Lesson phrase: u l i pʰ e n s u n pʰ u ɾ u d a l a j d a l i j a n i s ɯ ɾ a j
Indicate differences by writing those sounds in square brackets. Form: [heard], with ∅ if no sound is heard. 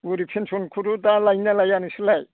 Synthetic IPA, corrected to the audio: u [ɾ] i pʰ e n s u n [kʰ] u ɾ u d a l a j [n] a l [a] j a n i s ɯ [l] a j

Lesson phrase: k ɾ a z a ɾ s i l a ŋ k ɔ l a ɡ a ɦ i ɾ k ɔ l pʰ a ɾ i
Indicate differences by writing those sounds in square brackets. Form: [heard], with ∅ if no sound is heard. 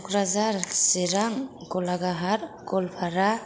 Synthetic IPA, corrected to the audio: k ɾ a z a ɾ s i [ɾ] a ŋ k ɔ l a ɡ a ɦ [a] ɾ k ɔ l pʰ a ɾ [a]

